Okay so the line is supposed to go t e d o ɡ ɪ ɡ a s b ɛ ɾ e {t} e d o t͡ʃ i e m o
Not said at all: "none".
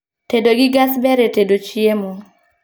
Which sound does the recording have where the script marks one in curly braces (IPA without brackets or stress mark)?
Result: t